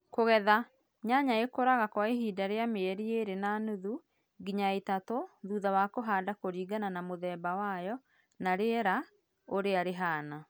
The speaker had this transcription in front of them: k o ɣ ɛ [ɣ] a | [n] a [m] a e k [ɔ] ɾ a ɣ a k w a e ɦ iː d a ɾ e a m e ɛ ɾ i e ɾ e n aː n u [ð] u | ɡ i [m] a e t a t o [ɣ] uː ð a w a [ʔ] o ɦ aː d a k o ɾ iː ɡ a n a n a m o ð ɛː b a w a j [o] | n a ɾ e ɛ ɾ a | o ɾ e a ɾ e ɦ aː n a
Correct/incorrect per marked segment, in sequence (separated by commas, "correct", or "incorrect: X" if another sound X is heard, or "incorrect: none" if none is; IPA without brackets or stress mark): incorrect: ð, incorrect: ɲ, incorrect: ɲ, incorrect: o, correct, incorrect: ɲ, incorrect: ð, incorrect: k, incorrect: ɔ